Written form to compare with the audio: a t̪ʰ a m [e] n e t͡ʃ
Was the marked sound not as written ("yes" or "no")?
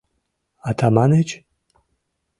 yes